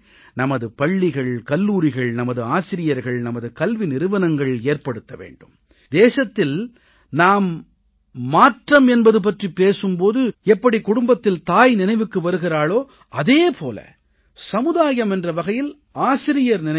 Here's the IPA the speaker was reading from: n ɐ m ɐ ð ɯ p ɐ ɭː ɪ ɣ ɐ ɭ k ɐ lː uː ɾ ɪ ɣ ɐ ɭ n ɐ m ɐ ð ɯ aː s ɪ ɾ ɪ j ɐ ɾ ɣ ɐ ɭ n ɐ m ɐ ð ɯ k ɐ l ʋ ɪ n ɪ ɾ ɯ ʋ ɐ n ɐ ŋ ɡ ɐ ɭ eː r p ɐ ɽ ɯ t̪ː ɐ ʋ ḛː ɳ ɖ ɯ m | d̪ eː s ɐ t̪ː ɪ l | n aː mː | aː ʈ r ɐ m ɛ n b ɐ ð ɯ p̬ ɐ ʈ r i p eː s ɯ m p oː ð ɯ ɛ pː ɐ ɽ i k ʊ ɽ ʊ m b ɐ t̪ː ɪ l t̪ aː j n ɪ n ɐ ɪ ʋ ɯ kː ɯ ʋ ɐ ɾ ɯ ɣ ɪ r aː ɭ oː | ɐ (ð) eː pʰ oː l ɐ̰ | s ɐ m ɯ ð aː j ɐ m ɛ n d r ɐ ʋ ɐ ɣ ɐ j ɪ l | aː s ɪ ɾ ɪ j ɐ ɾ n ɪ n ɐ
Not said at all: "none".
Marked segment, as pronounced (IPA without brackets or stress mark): ð